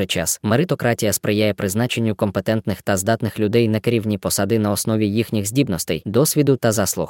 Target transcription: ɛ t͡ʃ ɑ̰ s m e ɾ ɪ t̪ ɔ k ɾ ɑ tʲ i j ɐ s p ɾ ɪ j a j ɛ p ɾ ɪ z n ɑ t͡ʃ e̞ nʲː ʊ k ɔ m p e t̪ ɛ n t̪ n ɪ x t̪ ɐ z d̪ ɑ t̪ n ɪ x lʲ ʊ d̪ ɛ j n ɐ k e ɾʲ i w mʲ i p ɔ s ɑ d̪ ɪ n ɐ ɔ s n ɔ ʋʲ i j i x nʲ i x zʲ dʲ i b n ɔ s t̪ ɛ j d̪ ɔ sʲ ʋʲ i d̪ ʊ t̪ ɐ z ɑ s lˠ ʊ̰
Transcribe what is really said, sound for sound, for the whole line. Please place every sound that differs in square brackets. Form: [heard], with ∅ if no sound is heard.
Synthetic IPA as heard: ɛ t͡ʃ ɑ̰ s m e ɾ ɪ t̪ ɔ k ɾ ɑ tʲ i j ɐ s p ɾ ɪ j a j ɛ p ɾ ɪ z n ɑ t͡ʃ e̞ nʲː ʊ k ɔ m p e t̪ ɛ n t̪ n ɪ x t̪ ɐ z d̪ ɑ t̪ n ɪ x lʲ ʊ d̪ ɛ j n ɐ k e ɾʲ i w [nʲ] i p ɔ s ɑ d̪ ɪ n ɐ ɔ s n ɔ ʋʲ i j i x nʲ i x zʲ dʲ i b n ɔ s t̪ ɛ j d̪ ɔ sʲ ʋʲ i d̪ ʊ t̪ ɐ z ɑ s lˠ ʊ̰